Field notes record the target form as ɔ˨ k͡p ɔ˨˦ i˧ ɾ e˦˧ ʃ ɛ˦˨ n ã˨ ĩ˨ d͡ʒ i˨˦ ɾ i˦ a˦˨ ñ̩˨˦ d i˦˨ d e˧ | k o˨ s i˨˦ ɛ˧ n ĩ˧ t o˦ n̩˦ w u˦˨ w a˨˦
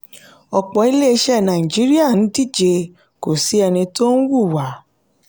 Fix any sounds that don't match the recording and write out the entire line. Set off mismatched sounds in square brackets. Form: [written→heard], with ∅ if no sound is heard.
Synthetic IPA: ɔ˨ k͡p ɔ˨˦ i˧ [ɾ→l] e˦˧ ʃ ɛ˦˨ n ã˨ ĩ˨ d͡ʒ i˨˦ ɾ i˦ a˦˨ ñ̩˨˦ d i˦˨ [d→d͡ʒ] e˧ | k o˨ s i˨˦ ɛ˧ n ĩ˧ t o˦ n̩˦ w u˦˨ w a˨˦